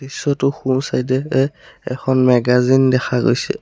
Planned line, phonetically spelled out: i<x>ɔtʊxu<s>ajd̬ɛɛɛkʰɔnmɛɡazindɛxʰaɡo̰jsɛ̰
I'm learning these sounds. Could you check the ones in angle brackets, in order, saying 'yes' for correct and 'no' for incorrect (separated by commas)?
no, yes